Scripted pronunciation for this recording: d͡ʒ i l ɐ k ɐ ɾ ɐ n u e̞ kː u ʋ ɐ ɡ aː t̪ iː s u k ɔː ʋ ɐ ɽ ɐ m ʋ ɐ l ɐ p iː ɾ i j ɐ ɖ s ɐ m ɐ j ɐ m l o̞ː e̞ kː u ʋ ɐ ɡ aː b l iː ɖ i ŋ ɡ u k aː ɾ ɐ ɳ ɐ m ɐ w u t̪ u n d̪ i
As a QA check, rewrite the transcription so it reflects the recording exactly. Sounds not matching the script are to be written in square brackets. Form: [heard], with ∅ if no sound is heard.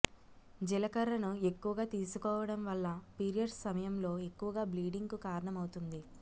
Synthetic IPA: d͡ʒ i l ɐ k ɐ ɾ ɐ n u e̞ kː u ʋ ɐ ɡ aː t̪ iː s u k ɔː ʋ ɐ ɽ ɐ m ʋ ɐ [lː] ɐ p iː ɾ i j ɐ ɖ s ɐ m ɐ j ɐ m l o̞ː e̞ kː u ʋ ɐ ɡ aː b l iː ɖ i ŋ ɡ u k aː ɾ ɐ ɳ ɐ m ɐ w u t̪ u n d̪ i